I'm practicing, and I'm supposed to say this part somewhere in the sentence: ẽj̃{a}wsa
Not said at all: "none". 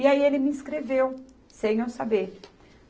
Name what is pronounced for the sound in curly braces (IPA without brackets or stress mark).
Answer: e